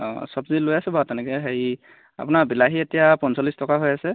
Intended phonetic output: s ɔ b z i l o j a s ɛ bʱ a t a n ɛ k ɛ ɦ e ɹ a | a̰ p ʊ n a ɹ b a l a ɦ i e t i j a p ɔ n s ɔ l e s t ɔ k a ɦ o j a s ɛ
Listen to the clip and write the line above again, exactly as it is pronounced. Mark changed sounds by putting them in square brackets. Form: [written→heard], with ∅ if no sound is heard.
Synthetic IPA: s ɔ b z i l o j a s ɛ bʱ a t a n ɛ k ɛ ɦ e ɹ [a→i] | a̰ p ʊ n a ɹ b [a→i] l a ɦ i e t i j a p ɔ n s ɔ l [e→i] s t ɔ k a ɦ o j a s ɛ